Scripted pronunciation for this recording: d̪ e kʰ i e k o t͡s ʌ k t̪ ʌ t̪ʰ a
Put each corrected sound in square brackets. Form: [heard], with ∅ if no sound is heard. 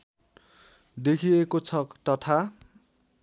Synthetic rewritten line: d̪ e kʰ i e k o [t͡sʰ] ʌ k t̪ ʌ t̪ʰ a

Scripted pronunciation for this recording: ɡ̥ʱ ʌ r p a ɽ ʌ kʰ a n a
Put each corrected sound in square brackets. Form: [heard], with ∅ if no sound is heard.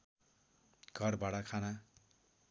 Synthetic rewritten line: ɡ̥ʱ ʌ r [b] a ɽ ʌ kʰ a n a

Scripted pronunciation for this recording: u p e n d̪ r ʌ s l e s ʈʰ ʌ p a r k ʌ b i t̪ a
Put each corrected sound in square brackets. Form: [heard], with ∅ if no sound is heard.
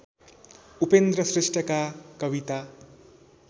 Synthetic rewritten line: u p e n d̪ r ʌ s [r] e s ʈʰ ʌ [k] a [∅] k ʌ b i t̪ a

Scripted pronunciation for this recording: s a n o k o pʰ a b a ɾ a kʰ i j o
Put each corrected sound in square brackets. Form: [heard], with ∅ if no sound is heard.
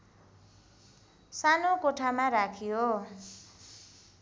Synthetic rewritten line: s a n o k o [ʈʰ] a [m] a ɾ a kʰ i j o

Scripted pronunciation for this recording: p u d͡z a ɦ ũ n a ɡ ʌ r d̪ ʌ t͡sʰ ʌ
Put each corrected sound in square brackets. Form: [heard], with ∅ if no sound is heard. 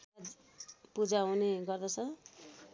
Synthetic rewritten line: p u d͡z a ɦ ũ n [e] ɡ ʌ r d̪ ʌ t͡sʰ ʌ

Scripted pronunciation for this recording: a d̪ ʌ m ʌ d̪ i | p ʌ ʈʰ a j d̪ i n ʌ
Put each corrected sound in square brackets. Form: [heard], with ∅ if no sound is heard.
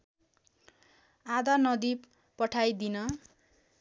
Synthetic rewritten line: a d̪ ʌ [n] ʌ d̪ i | p ʌ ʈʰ a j d̪ i n ʌ

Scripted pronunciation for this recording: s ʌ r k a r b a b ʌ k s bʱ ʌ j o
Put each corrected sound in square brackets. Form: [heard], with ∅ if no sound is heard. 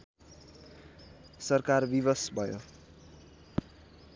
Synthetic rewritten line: s ʌ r k a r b [i] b ʌ [∅] s bʱ ʌ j o

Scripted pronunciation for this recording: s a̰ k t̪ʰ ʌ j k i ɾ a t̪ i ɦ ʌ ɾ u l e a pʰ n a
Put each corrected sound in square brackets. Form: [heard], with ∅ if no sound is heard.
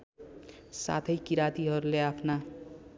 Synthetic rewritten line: s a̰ [∅] t̪ʰ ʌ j k i ɾ a t̪ i ɦ ʌ ɾ u l e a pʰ n a

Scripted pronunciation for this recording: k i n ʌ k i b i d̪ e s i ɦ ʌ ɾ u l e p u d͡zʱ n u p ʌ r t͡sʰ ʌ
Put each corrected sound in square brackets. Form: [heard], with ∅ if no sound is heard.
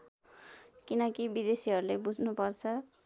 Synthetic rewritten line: k i n ʌ k i b i d̪ e s i ɦ ʌ ɾ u l e [b] u d͡zʱ n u p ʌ r t͡sʰ ʌ

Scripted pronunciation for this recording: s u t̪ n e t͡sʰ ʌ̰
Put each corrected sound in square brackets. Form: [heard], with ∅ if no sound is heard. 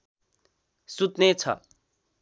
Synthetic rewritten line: s u t̪ n e t͡sʰ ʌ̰

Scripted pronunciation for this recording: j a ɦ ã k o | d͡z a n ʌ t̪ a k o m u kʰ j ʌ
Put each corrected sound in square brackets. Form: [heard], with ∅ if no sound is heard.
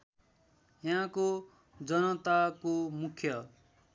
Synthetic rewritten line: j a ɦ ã k o | d͡z [ʌ] n ʌ t̪ a k o m u kʰ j ʌ

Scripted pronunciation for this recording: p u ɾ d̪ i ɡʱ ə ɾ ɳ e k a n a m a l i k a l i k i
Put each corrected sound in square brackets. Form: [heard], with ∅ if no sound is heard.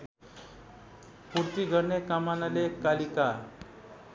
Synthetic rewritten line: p u ɾ [t̪] i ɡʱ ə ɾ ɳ e k a [m] a [n] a l [e] k a l i k [a]

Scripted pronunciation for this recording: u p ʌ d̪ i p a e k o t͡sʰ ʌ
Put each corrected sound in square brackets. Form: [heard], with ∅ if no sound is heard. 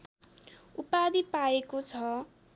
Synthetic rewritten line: u p [a] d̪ i p a e k o t͡sʰ ʌ

